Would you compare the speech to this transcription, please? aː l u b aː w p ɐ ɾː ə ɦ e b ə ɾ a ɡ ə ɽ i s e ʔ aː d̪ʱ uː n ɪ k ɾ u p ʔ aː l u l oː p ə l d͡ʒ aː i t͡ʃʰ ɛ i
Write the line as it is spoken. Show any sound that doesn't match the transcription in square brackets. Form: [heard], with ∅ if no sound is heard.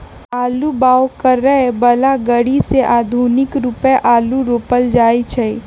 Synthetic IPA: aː l u b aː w [k] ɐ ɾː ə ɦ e b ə [l] a ɡ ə ɽ i s e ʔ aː d̪ʱ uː n ɪ k ɾ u p ʔ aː l u [ɾ] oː p ə l d͡ʒ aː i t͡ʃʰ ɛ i